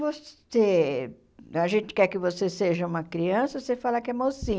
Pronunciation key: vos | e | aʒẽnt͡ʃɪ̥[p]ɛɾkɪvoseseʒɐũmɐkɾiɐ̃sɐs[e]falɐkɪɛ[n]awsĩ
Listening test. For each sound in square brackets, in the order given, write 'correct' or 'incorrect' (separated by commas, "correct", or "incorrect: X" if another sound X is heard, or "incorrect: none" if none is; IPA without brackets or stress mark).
incorrect: k, correct, incorrect: m